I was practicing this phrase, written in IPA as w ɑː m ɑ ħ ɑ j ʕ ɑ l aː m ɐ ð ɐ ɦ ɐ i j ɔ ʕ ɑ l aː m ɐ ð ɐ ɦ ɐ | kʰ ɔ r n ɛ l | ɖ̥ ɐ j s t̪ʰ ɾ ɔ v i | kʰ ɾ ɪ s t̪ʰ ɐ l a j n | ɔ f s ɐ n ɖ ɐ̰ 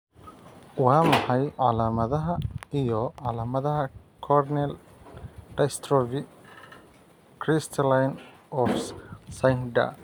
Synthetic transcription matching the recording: w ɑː m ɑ ħ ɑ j ʕ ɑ l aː m ɐ ð ɐ ɦ ɐ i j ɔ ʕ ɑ l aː m ɐ ð ɐ ɦ ɐ | kʰ ɔ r n ɛ l | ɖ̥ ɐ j s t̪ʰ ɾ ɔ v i | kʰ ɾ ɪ s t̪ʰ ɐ l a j n | ɔ f s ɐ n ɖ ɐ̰